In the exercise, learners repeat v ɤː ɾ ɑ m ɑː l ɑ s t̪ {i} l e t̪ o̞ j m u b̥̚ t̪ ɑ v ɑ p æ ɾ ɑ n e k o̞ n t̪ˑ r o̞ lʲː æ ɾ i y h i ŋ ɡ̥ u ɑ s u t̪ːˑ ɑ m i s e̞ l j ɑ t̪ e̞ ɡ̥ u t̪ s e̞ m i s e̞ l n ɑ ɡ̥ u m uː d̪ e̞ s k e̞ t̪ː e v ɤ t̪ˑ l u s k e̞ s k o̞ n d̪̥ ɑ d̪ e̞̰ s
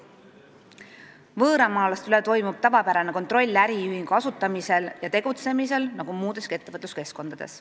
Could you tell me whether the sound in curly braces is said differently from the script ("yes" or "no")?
yes